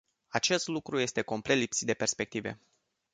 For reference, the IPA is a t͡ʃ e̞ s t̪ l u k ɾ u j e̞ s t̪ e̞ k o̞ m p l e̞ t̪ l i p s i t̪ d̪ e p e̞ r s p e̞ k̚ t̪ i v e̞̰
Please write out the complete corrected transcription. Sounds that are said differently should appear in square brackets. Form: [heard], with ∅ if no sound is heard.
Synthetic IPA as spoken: a t͡ʃ e̞ s t̪ l u k ɾ u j e̞ s t̪ e̞ k o̞ m p l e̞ t̪ l i p s i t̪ d̪ e p e̞ r s p e̞ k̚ t̪ i v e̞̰